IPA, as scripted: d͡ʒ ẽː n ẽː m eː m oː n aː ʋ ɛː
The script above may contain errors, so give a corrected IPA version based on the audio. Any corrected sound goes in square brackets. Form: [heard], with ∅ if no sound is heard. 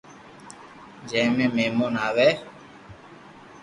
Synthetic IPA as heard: d͡ʒ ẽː [m] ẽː m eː m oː n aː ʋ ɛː